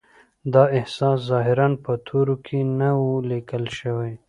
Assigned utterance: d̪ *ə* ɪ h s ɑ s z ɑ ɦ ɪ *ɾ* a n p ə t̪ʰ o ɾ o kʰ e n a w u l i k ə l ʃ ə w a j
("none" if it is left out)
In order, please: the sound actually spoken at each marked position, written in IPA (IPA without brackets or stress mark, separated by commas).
ɑ, ɾ